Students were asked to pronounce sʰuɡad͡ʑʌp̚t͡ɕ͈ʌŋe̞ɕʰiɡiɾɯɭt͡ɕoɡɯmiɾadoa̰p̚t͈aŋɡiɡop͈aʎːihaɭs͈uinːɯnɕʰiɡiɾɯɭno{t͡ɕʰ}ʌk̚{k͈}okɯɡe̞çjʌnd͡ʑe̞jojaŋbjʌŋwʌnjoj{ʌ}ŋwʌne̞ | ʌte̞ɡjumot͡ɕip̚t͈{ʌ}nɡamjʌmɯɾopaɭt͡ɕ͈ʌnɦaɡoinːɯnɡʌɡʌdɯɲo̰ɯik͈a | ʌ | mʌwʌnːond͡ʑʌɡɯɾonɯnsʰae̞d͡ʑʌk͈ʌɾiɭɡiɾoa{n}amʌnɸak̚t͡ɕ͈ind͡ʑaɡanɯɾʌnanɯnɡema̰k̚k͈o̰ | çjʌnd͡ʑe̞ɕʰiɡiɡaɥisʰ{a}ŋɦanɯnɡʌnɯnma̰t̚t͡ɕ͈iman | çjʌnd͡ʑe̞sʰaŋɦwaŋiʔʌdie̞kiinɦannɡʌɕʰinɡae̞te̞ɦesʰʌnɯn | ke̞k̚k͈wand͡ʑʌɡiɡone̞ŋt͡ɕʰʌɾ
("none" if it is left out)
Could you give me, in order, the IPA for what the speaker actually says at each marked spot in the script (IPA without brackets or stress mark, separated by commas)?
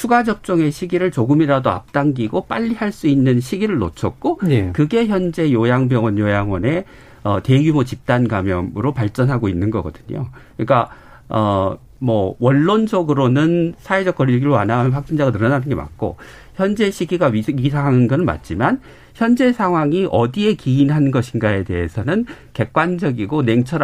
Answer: t͡ɕʰ, k͈, a, a, n, a